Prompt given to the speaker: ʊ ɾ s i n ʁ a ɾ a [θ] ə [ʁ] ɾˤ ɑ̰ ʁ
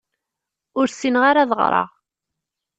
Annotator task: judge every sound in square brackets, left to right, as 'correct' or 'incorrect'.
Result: incorrect: ð, correct

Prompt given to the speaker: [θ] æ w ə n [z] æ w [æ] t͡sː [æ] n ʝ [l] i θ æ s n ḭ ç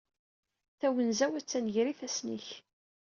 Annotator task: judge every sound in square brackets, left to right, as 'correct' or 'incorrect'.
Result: correct, correct, correct, correct, incorrect: ɾ

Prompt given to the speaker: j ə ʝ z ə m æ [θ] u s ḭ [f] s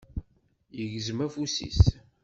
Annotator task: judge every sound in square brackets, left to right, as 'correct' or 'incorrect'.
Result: incorrect: f, incorrect: none

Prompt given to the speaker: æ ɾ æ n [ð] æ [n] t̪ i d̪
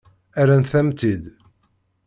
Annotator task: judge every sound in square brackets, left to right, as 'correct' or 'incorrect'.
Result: incorrect: θ, incorrect: m

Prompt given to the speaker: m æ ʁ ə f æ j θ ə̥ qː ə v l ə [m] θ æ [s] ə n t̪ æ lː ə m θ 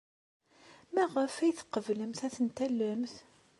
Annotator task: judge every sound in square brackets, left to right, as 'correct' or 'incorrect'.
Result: correct, incorrect: θ

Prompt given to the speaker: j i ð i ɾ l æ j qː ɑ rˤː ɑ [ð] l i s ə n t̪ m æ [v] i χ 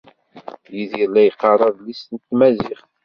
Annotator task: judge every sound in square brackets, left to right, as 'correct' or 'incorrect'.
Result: correct, incorrect: z

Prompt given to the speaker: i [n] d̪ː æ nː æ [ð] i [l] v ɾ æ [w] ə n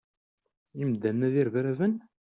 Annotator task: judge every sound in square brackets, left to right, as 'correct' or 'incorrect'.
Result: incorrect: m, correct, incorrect: ɾ, incorrect: v

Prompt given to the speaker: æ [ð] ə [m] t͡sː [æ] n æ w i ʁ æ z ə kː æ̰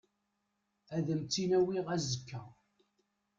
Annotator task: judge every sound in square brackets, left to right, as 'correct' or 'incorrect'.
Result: correct, correct, incorrect: i

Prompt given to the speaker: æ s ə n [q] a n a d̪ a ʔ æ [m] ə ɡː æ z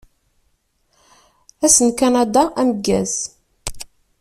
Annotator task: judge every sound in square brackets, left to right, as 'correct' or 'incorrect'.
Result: incorrect: k, correct

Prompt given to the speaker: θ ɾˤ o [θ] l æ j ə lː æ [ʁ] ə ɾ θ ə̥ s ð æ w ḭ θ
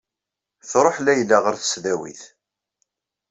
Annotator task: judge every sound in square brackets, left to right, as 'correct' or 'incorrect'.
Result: incorrect: ħ, correct

